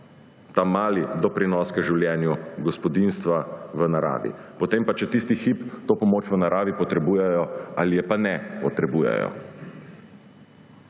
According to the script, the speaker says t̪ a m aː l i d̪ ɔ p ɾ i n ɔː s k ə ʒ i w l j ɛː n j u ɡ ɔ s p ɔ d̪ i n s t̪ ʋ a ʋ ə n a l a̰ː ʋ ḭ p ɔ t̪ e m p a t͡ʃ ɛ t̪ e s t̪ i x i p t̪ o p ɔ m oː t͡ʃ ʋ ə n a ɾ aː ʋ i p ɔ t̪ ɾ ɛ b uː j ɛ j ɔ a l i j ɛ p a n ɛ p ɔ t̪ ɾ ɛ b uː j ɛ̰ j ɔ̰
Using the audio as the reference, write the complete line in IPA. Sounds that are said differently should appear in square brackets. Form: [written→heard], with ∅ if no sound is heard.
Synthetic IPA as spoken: t̪ a m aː l i d̪ ɔ p ɾ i n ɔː s k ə ʒ i w l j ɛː n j u ɡ ɔ s p ɔ d̪ i n s t̪ ʋ a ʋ ə n a [l→ɾ] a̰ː ʋ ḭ p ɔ t̪ e m p a t͡ʃ ɛ t̪ [e→i] s t̪ i x i p t̪ o p ɔ m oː t͡ʃ ʋ ə n a ɾ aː ʋ i p ɔ t̪ ɾ ɛ b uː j ɛ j ɔ a l i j ɛ p a n ɛ p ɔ t̪ ɾ ɛ b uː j ɛ̰ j ɔ̰